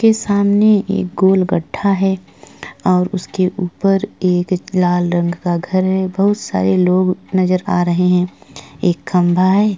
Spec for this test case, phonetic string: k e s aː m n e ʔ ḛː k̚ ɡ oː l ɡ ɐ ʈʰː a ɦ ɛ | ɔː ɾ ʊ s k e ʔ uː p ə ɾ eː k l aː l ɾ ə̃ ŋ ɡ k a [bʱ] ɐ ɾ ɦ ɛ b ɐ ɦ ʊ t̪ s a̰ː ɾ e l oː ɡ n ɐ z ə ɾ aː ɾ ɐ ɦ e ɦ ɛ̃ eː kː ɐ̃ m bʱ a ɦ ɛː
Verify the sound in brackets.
incorrect: ɡʱ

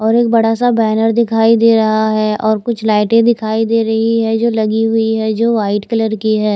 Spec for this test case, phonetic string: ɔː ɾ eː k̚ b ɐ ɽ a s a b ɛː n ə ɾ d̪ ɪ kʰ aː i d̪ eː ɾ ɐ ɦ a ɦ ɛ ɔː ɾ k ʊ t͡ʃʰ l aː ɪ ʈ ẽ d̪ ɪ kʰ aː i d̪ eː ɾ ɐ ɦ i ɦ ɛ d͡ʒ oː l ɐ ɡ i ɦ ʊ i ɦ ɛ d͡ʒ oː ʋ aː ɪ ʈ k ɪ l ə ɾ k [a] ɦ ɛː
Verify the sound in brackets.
incorrect: i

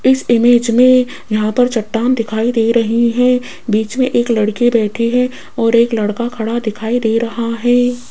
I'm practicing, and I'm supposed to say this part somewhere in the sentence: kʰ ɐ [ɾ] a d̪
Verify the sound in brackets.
incorrect: ɽ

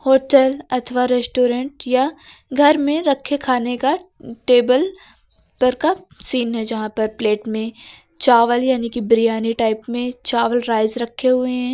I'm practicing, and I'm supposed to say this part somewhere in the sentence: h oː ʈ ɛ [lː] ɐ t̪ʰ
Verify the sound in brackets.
incorrect: l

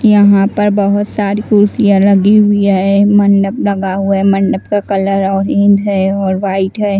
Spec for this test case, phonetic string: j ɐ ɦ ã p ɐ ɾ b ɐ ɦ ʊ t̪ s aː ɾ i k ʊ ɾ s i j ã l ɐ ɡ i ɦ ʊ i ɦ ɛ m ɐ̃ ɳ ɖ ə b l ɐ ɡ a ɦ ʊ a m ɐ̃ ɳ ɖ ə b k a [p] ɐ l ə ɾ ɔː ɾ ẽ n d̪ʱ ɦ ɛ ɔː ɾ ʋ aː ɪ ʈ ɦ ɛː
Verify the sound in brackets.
incorrect: k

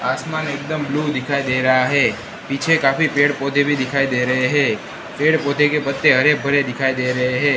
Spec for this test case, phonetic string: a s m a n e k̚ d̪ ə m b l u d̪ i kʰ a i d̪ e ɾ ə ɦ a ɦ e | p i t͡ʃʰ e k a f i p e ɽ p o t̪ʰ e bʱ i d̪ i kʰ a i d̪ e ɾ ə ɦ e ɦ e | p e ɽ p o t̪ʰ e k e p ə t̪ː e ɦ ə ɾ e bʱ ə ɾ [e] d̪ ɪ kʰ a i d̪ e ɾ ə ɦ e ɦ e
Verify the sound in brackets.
correct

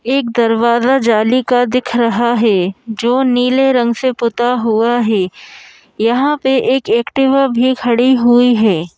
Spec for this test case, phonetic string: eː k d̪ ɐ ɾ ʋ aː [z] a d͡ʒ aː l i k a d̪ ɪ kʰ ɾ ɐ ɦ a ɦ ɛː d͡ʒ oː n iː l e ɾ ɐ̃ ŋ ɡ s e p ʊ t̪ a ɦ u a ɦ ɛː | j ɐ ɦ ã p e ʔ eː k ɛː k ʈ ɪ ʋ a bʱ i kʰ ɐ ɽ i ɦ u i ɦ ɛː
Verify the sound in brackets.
correct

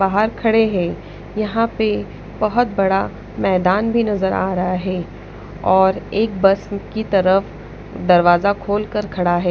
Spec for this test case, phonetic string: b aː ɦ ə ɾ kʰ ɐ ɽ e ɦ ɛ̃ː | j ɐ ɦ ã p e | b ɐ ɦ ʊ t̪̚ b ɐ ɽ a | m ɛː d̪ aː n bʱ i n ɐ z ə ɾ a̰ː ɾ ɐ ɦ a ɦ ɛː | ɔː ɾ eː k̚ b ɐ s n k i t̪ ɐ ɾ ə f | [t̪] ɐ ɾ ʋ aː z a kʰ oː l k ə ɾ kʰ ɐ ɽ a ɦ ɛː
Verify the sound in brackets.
incorrect: d̪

